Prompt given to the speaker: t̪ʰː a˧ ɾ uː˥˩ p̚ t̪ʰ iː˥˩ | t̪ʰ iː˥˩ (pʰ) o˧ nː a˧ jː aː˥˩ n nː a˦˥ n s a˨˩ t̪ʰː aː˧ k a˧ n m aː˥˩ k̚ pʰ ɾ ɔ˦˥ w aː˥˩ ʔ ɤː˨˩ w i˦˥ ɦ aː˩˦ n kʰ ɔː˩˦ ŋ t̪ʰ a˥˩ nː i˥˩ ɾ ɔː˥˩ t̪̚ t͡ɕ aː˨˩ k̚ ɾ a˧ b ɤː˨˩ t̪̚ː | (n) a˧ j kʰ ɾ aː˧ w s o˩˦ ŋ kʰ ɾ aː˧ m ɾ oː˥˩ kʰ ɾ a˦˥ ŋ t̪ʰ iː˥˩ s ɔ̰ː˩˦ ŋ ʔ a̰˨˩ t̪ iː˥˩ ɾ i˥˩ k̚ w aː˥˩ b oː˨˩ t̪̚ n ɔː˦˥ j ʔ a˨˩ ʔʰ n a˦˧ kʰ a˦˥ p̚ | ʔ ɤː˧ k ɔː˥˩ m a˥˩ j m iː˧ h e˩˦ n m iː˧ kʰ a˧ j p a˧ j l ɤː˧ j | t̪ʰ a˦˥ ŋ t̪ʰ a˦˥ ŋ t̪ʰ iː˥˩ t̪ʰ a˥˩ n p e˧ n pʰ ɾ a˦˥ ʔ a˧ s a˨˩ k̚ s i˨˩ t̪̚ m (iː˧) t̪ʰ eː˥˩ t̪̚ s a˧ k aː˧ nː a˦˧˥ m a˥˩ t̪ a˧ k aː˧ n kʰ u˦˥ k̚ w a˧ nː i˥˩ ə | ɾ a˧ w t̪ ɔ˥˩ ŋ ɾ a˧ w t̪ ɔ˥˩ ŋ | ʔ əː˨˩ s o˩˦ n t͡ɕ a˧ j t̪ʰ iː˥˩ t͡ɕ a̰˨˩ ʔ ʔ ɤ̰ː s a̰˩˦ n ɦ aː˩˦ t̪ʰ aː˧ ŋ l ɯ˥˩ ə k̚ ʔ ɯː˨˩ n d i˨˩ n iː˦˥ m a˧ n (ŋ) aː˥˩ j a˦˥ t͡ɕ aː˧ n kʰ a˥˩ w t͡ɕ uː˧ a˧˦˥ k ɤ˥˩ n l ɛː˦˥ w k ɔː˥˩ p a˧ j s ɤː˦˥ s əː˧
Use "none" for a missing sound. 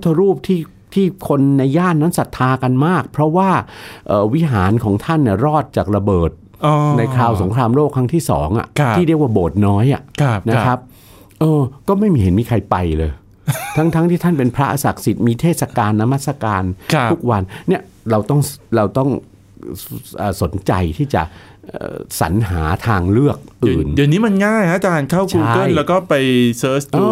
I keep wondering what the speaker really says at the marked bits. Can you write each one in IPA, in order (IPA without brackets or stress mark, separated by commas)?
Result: kʰ, n, iː˧, ŋ